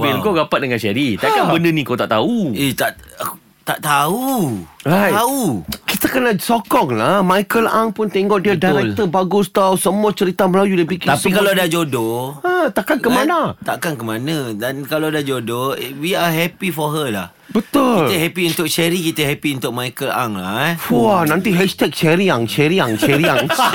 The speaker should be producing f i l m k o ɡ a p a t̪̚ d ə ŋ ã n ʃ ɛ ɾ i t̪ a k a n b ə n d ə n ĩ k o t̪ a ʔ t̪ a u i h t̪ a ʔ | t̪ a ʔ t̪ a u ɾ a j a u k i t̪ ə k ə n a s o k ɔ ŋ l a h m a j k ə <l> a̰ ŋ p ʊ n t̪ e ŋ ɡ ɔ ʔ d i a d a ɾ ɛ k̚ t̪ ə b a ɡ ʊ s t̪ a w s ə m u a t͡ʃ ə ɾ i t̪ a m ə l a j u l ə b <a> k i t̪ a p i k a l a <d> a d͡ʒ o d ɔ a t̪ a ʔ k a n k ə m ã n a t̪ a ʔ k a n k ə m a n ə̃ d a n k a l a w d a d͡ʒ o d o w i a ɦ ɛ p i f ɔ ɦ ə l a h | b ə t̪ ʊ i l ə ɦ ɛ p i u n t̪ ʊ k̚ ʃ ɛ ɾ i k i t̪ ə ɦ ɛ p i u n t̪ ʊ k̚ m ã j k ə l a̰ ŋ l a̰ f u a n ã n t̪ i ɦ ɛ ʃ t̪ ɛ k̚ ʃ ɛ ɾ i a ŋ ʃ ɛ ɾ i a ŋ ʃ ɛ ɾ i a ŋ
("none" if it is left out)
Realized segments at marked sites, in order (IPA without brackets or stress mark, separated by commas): l, i, d